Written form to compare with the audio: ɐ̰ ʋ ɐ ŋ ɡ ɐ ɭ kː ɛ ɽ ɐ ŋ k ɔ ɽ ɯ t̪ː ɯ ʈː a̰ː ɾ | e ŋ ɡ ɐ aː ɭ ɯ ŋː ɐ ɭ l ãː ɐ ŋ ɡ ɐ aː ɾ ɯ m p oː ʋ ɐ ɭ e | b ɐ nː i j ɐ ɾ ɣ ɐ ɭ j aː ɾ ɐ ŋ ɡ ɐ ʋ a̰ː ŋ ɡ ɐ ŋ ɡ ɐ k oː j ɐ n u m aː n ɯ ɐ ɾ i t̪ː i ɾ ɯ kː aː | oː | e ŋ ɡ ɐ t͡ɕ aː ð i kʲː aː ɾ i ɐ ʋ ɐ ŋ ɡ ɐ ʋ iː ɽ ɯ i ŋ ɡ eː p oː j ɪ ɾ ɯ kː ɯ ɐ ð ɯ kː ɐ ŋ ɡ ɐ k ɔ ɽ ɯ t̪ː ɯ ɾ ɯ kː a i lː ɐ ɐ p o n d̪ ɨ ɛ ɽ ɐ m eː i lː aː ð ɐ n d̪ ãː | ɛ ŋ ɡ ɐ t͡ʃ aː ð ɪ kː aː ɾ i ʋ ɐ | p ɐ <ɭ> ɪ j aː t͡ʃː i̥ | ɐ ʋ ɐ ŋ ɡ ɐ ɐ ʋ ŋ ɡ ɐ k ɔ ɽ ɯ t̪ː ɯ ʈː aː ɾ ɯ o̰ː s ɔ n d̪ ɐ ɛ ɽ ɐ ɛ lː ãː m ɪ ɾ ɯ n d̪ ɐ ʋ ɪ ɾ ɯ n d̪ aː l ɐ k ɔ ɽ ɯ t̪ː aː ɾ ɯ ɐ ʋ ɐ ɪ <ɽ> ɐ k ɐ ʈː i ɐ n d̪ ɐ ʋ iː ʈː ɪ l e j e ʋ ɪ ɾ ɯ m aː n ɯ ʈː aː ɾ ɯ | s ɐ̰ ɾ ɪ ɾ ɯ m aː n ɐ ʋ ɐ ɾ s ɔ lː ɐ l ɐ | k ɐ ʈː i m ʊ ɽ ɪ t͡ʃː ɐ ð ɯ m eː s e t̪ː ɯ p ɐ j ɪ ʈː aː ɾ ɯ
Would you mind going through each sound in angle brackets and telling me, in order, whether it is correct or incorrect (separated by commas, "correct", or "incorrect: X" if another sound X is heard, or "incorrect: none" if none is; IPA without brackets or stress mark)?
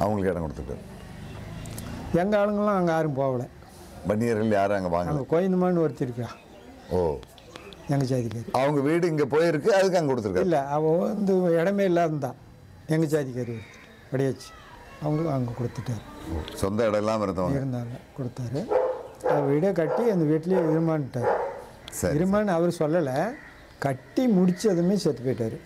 incorrect: ɽ, correct